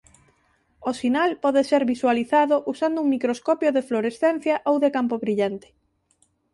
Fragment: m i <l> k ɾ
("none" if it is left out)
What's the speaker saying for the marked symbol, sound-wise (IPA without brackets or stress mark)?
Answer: none